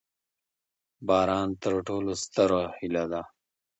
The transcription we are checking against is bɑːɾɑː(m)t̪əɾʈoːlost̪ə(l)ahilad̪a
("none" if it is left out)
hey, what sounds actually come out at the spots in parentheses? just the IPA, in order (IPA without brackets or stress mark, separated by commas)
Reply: n, ɾ